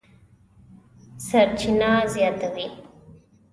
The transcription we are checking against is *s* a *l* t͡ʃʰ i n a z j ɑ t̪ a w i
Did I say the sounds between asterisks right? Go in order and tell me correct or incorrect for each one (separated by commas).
correct, incorrect